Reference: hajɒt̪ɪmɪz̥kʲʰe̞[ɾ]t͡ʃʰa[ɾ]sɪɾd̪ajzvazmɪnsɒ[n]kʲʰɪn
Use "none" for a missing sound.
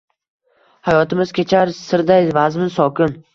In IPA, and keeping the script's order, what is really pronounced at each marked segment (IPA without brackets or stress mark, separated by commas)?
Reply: none, ɾ, none